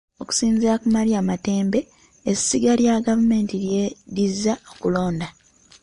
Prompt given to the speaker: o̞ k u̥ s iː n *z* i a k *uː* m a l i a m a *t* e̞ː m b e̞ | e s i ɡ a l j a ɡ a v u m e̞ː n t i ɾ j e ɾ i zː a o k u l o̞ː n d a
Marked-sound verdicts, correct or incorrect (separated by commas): correct, incorrect, correct